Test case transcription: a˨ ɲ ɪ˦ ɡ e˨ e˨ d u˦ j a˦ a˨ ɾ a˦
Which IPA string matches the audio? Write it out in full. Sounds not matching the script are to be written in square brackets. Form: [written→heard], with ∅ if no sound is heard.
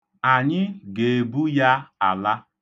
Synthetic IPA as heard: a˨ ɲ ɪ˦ ɡ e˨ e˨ [d→b] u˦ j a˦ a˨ [ɾ→l] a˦

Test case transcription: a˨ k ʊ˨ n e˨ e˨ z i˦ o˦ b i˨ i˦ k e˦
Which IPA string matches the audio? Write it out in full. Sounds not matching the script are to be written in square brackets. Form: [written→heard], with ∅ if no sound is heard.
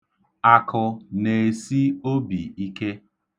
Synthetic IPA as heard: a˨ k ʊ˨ n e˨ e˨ [z→s] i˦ o˦ b i˨ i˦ k e˦

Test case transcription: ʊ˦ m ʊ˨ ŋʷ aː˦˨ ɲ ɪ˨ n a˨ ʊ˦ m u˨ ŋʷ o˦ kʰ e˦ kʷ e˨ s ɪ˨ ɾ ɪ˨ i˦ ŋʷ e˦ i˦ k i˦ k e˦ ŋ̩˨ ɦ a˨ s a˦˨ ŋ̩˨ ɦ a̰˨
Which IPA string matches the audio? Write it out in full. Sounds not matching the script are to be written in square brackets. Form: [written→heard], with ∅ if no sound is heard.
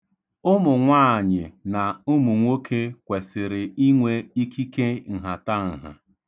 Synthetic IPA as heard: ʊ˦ m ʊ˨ ŋʷ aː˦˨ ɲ ɪ˨ n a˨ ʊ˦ m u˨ ŋʷ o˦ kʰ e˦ kʷ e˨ s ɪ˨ ɾ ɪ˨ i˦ ŋʷ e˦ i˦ k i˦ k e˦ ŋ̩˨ ɦ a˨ [s→t] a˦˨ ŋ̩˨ ɦ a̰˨

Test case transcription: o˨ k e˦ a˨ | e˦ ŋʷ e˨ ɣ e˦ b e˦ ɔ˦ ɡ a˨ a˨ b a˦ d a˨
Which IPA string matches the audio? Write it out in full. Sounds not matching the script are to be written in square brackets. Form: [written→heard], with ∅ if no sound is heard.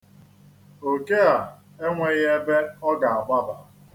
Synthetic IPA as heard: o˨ k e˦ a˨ | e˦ ŋʷ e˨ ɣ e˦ b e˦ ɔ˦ ɡ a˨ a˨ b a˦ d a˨

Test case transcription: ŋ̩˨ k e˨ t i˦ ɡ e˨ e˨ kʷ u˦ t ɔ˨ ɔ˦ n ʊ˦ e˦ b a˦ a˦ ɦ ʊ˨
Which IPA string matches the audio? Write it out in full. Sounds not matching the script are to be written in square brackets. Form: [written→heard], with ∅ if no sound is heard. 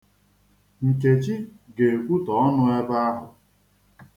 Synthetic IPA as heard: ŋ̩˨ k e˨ [t→t͡ʃ] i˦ ɡ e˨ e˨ kʷ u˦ t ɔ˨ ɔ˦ n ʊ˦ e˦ b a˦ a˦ ɦ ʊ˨

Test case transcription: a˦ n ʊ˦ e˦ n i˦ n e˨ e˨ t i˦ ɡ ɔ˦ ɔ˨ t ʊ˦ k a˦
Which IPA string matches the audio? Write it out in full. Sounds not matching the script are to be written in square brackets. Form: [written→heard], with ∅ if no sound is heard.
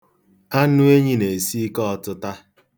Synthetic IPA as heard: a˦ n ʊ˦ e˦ [n→ɲ] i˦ n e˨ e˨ [t→s] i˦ [ɡ→k] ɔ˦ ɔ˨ t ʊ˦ [k→t] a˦

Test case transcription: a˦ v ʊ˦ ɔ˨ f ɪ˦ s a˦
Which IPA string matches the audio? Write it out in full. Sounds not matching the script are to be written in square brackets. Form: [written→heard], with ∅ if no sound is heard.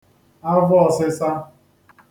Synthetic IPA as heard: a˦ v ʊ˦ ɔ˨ [f→s] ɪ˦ s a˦

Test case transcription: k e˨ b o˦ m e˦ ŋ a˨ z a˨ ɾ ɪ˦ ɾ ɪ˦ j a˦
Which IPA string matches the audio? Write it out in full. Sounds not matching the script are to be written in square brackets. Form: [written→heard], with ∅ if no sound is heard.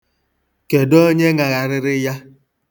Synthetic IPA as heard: k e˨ [b→d] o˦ [m→ɲ] e˦ ŋ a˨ [z→ɣ] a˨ ɾ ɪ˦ ɾ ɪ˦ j a˦

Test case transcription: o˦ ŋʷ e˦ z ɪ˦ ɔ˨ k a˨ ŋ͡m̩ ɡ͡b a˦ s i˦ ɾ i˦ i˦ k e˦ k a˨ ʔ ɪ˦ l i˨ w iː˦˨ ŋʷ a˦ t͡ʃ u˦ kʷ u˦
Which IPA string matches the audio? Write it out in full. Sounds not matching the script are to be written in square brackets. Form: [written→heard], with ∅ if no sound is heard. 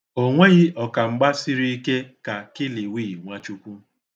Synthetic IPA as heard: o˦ ŋʷ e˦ [z→ɣ] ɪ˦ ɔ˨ k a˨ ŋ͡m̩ ɡ͡b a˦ s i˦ ɾ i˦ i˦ k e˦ k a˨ [ʔ→k] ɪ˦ l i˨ w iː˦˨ ŋʷ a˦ t͡ʃ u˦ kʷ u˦

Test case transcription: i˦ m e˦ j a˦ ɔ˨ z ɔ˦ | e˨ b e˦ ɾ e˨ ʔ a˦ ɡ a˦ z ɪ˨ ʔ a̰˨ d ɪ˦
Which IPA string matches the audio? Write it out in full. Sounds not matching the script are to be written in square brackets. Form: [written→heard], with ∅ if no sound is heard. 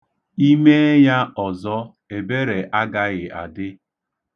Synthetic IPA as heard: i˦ m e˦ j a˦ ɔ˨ z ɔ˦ | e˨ b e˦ ɾ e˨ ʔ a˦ ɡ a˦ [z→ɣ] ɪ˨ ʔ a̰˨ d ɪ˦

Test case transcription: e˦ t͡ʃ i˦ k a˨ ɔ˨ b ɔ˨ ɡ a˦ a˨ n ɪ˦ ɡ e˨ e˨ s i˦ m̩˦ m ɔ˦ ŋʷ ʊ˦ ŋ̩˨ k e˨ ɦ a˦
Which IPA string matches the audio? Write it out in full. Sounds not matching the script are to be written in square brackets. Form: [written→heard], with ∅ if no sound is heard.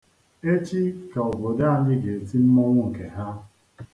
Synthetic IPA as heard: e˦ t͡ʃ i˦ k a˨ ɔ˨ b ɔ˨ [ɡ→d] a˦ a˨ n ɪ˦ ɡ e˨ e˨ [s→t] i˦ m̩˦ m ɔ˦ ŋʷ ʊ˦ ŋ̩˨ k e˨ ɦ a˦

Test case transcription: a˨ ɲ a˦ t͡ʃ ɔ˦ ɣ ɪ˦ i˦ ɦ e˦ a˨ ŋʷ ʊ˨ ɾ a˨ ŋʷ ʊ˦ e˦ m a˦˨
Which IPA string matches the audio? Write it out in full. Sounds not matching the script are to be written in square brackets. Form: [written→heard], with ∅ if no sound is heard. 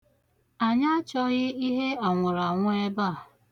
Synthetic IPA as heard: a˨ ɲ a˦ t͡ʃ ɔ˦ ɣ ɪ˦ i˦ ɦ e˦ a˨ ŋʷ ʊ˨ ɾ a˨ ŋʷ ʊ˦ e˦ [m→b] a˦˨

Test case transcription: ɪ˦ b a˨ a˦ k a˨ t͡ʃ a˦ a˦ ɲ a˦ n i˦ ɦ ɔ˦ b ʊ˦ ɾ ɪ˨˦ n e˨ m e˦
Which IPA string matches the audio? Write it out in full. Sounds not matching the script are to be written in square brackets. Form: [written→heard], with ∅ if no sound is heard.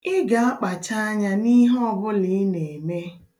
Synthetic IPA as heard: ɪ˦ [b→ɡ] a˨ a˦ [k→k͡p] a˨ t͡ʃ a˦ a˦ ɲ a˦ n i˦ ɦ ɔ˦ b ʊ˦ [ɾ→l] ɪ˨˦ n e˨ m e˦

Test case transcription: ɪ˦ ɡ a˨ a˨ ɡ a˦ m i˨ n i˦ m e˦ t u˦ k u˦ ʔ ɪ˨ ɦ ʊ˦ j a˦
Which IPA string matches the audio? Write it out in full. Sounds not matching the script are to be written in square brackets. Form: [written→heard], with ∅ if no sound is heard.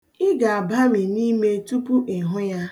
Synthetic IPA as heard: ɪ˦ ɡ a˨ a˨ [ɡ→b] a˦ m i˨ n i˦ m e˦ t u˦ [k→p] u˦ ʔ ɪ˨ ɦ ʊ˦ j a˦

